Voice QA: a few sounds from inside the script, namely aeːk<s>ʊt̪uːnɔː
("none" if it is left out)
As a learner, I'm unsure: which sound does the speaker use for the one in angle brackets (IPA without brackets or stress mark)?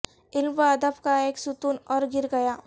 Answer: s